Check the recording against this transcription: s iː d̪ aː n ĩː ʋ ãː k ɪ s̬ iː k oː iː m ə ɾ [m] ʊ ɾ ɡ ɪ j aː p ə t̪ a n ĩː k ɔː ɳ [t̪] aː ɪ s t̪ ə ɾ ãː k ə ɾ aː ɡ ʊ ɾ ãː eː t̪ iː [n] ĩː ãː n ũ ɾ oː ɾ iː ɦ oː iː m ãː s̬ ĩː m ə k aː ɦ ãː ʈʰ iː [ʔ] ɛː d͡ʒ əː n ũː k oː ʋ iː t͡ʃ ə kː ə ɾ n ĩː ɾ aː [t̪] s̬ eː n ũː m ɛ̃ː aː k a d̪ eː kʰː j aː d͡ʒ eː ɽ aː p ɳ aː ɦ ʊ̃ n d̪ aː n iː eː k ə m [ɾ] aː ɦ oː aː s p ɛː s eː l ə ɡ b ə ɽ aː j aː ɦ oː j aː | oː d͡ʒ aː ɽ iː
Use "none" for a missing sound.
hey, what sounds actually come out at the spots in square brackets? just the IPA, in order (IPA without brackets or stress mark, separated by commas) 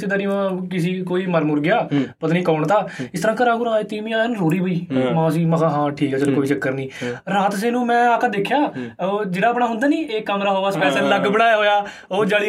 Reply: m, t̪, m, k, t̪, ɾ